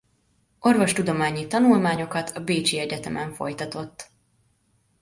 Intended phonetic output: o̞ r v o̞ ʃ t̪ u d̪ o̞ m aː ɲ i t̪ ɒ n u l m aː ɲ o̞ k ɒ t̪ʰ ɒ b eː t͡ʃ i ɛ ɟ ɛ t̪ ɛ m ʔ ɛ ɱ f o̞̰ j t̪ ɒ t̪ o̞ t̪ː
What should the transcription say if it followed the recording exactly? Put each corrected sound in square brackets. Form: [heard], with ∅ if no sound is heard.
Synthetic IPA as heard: o̞ r v o̞ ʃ t̪ u d̪ o̞ m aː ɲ i t̪ ɒ n u l m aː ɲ o̞ k ɒ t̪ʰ ɒ b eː t͡ʃ i ɛ ɟ ɛ t̪ ɛ m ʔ ɛ ɱ f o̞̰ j t̪ ɒ t̪ o̞ t̪ː